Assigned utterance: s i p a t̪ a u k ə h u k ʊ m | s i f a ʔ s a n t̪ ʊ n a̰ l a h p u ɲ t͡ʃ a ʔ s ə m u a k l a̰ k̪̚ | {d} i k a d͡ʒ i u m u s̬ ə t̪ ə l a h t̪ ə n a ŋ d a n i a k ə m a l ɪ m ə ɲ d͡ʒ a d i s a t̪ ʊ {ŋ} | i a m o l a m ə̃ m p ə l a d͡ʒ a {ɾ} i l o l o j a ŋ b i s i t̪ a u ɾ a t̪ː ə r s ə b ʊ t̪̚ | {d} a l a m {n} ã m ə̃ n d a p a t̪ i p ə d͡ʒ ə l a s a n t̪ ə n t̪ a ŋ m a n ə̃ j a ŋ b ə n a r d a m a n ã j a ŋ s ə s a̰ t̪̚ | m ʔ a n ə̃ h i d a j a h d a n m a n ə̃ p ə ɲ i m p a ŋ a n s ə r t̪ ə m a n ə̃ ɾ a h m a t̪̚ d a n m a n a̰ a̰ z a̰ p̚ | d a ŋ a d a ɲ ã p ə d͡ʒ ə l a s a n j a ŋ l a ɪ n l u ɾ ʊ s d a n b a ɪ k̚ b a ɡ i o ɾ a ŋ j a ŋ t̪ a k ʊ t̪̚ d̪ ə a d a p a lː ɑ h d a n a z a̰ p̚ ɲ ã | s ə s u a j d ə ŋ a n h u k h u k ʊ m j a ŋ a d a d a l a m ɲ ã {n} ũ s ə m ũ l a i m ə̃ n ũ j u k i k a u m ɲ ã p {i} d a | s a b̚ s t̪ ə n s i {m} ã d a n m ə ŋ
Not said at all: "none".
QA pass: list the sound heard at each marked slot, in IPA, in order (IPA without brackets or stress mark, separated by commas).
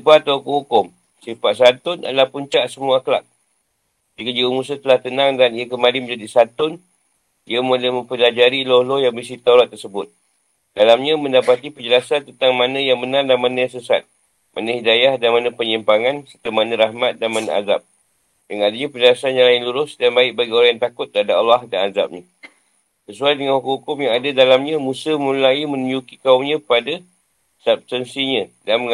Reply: d͡ʒ, n, ɾ, d, ɲ, m, a, ɲ